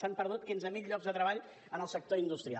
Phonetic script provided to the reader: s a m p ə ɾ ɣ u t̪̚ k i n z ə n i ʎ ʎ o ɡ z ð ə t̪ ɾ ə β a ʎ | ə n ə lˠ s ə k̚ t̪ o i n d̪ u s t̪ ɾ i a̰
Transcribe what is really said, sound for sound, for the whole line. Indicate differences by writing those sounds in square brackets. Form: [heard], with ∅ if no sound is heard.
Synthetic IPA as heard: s a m p ə ɾ [ð] u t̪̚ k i n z ə [m] i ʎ ʎ [ɔ] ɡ z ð ə t̪ ɾ ə β a ʎ | ə n ə lˠ s ə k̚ t̪ o i n d̪ u s t̪ ɾ i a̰